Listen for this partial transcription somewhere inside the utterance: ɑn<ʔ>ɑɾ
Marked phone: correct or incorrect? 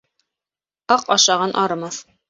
correct